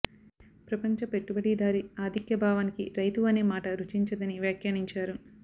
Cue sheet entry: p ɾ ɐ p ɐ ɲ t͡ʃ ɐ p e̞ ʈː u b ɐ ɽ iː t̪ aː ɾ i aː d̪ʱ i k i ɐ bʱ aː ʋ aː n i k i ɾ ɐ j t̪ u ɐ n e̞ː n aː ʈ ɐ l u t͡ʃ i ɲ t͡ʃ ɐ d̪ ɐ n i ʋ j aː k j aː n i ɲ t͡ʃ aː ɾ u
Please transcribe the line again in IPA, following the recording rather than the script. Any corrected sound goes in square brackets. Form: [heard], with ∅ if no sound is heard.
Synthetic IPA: p ɾ ɐ p ɐ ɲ t͡ʃ ɐ p e̞ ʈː u b ɐ ɽ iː [d̪] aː ɾ i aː d̪ʱ i k [j] ɐ bʱ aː ʋ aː n i k i ɾ ɐ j t̪ u ɐ n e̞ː [m] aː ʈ ɐ [ɾ] u t͡ʃ i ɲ t͡ʃ ɐ d̪ ɐ n i ʋ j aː k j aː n i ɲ t͡ʃ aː ɾ u